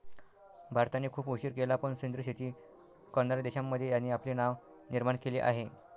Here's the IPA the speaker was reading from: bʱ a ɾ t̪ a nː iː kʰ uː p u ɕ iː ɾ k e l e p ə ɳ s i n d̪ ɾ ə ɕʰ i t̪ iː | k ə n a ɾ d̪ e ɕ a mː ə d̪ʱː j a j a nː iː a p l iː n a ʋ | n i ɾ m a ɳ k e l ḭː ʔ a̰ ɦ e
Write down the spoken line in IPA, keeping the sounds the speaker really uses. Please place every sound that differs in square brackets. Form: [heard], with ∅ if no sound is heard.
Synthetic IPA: bʱ a ɾ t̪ a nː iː kʰ uː p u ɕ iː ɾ k e l [a] p ə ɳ s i n d̪ ɾ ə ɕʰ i t̪ iː | k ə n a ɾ d̪ e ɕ a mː ə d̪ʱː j [e] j a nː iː a p l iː n a ʋ | n i ɾ m a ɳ k e l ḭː ʔ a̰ ɦ e